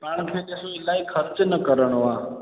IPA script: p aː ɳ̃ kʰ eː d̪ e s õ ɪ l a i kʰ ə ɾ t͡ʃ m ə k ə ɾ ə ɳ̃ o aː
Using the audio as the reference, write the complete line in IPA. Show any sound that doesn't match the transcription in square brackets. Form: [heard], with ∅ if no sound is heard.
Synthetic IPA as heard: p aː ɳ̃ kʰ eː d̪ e s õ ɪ l a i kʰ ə ɾ t͡ʃ [n] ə k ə ɾ ə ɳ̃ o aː